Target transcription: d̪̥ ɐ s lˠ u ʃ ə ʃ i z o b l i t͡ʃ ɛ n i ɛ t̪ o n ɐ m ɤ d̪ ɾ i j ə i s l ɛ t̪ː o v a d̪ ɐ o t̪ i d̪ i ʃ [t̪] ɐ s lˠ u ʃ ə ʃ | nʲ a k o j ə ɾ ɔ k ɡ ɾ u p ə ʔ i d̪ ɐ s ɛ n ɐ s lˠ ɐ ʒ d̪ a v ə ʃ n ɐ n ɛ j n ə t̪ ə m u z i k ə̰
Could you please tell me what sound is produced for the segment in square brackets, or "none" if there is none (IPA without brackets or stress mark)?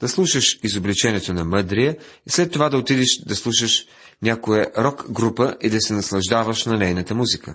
d̪